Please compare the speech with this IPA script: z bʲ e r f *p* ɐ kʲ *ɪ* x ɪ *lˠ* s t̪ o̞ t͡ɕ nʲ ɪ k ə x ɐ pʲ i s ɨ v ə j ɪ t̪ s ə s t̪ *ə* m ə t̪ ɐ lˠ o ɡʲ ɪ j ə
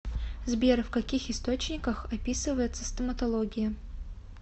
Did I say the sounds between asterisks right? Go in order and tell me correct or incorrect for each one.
incorrect: k, incorrect: i, incorrect: none, correct

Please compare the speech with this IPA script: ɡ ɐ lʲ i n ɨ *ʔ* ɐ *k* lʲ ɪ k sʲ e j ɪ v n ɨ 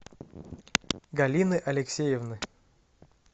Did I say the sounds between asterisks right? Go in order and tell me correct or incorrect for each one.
correct, incorrect: none

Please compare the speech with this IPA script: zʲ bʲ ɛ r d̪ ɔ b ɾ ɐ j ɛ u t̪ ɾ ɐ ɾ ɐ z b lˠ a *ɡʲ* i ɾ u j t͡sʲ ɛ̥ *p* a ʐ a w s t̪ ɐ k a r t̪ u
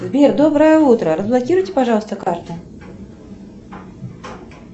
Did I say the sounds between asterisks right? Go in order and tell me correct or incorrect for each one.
incorrect: kʲ, correct

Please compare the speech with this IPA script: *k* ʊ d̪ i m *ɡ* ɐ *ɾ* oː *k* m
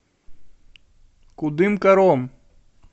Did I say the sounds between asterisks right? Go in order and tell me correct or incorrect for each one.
correct, incorrect: k, correct, incorrect: none

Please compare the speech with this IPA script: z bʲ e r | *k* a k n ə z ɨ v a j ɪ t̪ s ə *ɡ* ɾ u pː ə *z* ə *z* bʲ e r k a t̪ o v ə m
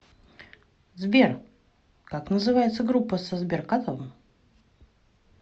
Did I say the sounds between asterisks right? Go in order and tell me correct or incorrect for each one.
correct, correct, incorrect: s, correct

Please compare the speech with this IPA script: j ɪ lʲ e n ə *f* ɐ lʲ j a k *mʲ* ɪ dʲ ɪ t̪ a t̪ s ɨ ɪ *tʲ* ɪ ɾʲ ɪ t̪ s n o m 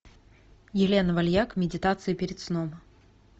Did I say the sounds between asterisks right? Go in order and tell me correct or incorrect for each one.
incorrect: v, correct, incorrect: pʲ

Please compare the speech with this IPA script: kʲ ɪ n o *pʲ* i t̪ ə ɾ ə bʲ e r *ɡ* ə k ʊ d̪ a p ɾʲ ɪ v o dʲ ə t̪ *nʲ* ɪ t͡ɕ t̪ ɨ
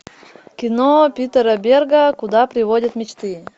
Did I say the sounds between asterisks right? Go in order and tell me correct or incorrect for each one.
correct, correct, incorrect: mʲ

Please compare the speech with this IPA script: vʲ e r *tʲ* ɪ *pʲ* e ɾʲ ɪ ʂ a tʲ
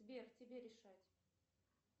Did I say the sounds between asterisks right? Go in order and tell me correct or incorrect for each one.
correct, incorrect: bʲ

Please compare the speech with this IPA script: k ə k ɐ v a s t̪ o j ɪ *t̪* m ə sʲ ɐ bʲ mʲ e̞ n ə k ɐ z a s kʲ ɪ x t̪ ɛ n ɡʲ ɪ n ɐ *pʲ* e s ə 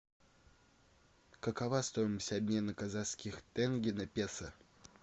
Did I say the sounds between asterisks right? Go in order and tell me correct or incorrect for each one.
incorrect: none, correct

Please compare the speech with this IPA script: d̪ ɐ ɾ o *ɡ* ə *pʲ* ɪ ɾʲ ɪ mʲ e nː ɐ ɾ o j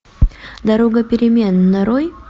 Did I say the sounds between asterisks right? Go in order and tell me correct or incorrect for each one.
correct, correct

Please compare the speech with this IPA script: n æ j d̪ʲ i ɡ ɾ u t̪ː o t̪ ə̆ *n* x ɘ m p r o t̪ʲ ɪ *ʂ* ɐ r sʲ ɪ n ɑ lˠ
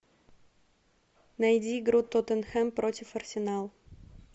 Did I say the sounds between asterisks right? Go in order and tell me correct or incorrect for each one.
correct, incorrect: f

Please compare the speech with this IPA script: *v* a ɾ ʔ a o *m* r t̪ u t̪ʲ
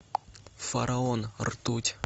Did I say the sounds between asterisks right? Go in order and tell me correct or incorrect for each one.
incorrect: f, incorrect: n

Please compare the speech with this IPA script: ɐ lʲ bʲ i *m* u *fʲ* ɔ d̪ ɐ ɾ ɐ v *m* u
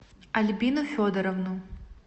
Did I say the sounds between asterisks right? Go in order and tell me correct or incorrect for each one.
incorrect: n, correct, incorrect: n

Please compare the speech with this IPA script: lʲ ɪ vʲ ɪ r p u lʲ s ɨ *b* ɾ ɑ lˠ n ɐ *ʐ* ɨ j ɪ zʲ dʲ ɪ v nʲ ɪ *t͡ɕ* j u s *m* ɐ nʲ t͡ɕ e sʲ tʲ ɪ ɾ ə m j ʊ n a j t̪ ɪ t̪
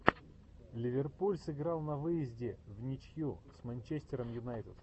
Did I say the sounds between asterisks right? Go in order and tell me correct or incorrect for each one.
incorrect: ɡ, incorrect: v, correct, correct

